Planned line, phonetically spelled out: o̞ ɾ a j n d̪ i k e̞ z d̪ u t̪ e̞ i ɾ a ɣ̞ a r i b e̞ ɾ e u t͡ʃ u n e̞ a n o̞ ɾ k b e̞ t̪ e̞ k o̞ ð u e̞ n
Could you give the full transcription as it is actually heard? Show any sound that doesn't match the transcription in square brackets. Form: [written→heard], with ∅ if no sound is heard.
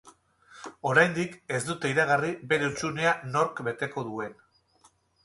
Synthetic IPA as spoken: o̞ ɾ a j n d̪ i k e̞ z d̪ u t̪ e̞ i ɾ a ɣ̞ a r i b e̞ ɾ e u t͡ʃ u n e̞ a n o̞ ɾ k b e̞ t̪ e̞ k o̞ ð u e̞ n